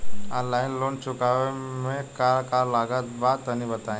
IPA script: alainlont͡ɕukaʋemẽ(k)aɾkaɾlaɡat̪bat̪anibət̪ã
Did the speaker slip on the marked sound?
no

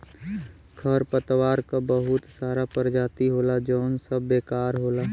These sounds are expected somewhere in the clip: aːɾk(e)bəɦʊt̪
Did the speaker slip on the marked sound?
yes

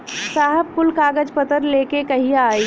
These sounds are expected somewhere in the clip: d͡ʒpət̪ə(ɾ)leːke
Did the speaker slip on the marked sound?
no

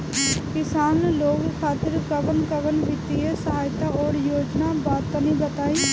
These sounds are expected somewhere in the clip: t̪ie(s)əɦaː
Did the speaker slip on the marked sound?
no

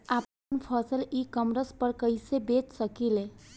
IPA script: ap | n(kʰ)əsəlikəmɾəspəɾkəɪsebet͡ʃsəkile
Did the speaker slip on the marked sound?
yes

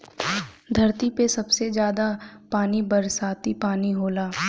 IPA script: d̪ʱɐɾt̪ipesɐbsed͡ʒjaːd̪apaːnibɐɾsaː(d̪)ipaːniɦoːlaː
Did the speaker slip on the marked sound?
yes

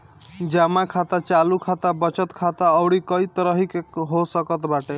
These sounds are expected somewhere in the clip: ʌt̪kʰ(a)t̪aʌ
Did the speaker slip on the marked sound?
no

